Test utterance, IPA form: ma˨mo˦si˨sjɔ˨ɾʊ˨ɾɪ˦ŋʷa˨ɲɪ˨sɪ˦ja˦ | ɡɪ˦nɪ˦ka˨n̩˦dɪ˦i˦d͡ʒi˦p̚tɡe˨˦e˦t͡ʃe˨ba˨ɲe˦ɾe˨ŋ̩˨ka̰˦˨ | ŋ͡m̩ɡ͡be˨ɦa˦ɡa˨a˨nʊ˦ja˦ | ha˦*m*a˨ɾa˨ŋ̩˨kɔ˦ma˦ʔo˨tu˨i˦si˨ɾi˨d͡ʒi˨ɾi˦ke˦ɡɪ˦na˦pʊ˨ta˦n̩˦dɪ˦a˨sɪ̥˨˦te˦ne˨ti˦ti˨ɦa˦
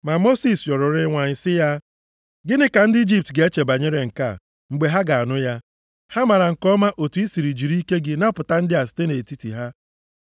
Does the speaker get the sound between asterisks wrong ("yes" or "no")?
no